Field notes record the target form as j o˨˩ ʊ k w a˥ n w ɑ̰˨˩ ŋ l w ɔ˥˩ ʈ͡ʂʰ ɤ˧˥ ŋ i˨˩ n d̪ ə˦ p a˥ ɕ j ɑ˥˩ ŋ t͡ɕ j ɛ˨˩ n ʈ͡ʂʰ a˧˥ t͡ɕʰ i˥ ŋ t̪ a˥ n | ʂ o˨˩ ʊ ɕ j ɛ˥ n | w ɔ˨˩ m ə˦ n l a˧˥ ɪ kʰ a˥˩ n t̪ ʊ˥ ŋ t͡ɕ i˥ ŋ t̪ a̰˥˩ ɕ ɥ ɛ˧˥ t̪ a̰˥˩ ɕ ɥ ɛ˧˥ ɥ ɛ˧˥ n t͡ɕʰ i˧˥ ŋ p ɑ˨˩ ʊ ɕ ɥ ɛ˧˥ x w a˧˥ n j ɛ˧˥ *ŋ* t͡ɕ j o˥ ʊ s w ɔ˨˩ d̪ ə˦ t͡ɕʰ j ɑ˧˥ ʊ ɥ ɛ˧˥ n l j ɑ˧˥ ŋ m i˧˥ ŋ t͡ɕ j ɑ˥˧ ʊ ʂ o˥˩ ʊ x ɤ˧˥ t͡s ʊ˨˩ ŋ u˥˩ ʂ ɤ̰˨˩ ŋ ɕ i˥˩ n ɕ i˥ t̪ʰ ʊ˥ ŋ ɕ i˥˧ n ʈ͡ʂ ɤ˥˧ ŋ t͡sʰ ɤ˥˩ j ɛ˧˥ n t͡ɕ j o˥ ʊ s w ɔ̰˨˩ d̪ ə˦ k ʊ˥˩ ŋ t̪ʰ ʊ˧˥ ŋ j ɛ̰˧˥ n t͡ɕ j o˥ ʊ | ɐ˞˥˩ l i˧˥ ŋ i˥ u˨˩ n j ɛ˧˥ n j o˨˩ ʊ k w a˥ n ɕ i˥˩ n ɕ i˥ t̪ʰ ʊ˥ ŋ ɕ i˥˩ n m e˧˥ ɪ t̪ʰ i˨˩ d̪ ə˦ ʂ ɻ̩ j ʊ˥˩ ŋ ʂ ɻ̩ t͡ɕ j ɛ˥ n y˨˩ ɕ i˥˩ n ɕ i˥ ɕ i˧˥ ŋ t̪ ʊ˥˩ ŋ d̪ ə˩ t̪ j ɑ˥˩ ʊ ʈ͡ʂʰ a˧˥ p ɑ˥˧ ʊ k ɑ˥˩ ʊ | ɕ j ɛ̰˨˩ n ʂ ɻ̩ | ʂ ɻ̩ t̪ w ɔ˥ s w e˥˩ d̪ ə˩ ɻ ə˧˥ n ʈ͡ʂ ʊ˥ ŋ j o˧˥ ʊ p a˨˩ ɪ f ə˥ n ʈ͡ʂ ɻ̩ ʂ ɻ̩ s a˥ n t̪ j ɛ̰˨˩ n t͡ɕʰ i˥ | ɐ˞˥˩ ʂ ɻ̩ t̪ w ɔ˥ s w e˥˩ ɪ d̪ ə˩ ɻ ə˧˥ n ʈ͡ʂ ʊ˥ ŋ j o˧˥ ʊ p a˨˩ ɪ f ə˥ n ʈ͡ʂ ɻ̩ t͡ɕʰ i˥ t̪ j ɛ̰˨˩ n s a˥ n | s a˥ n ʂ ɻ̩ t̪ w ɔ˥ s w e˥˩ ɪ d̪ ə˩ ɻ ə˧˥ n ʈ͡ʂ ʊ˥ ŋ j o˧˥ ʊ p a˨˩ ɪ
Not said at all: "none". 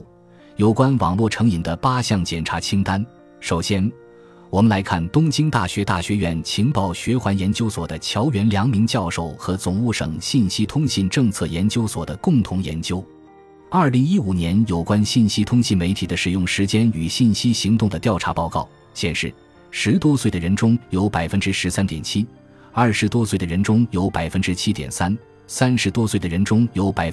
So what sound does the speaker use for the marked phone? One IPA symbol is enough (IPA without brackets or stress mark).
n